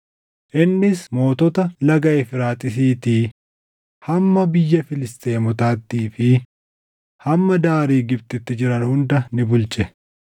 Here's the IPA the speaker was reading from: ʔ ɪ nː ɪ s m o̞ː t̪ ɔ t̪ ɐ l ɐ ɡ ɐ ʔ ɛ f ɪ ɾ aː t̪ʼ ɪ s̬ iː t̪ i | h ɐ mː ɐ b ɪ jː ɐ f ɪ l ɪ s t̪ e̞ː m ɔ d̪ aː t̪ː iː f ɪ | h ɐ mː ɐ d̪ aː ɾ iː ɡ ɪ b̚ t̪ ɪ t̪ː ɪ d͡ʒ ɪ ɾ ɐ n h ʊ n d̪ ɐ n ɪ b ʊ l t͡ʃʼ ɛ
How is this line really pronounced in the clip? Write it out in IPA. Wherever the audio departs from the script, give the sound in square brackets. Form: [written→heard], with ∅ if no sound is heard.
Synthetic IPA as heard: ʔ ɪ nː ɪ s m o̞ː t̪ ɔ t̪ ɐ l ɐ ɡ ɐ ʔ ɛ f ɪ ɾ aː t̪ʼ ɪ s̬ iː t̪ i | h ɐ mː ɐ b ɪ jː ɐ f ɪ l ɪ s t̪ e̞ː m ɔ [d̪→t̪] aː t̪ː iː f ɪ | h ɐ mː ɐ d̪ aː ɾ iː ɡ ɪ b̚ t̪ ɪ t̪ː ɪ d͡ʒ ɪ ɾ ɐ n h ʊ n d̪ ɐ n ɪ b ʊ l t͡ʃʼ ɛ